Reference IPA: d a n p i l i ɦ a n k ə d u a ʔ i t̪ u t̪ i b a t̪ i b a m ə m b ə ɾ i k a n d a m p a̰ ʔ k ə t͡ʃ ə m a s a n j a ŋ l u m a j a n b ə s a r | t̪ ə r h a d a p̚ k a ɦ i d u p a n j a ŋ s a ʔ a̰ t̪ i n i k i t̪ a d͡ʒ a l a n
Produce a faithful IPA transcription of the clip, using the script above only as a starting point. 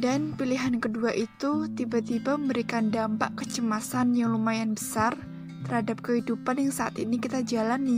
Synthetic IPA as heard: d a n p i l i ɦ a n k ə d u a ʔ i t̪ u t̪ i b a t̪ i b a m ə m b ə ɾ i k a n d a m p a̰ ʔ k ə t͡ʃ ə m a s a n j a ŋ l u m a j a n b ə s a r | t̪ ə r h a d a p̚ k ə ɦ i d u p a n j a ŋ s a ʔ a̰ t̪ i n i k i t̪ a d͡ʒ a l a n